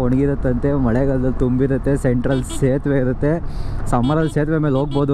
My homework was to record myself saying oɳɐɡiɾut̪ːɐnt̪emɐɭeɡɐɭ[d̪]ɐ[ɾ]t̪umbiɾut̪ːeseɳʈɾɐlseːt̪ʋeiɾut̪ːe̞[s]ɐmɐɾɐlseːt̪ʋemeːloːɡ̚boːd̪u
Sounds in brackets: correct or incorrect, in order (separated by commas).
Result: correct, incorrect, correct